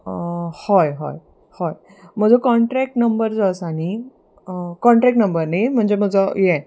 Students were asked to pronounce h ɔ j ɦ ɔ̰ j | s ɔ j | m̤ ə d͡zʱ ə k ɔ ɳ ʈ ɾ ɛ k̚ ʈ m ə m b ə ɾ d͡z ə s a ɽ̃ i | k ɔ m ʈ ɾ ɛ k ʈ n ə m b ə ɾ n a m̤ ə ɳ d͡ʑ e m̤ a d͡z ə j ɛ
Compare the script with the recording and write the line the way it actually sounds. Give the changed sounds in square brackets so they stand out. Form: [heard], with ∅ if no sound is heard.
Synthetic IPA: h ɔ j ɦ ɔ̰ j | [h] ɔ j | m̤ ə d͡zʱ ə k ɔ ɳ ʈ ɾ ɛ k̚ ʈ [n] ə m b ə ɾ d͡z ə s a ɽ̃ i | k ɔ [ɳ] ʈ ɾ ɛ k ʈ n ə m b ə ɾ n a m̤ ə ɳ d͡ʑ e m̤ [ə] d͡z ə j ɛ